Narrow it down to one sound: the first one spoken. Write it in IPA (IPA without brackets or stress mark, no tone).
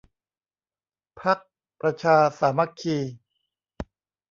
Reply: pʰ